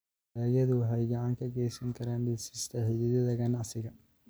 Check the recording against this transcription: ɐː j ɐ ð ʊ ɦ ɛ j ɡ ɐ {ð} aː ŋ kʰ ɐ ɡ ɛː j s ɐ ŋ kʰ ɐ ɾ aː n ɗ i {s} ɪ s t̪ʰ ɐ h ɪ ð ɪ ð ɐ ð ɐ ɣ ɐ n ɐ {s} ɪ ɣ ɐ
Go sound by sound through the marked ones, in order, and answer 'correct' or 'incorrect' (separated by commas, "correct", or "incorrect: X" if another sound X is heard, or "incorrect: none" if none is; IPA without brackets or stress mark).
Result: incorrect: ʕ, correct, correct